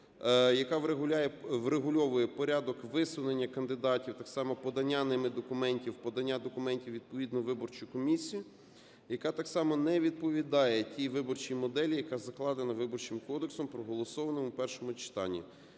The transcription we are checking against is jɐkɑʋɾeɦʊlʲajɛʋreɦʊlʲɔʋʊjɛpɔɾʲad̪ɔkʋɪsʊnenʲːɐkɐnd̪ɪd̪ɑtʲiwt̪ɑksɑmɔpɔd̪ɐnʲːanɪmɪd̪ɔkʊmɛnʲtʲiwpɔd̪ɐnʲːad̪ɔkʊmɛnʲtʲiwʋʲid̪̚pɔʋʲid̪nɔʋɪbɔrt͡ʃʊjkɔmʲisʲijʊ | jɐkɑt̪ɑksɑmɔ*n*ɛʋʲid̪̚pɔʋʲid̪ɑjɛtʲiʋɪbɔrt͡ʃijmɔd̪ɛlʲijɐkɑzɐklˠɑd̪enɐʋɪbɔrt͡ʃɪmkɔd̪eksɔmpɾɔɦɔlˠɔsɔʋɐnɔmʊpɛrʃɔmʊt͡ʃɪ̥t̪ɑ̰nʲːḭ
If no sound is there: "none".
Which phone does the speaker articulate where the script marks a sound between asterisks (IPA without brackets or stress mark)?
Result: n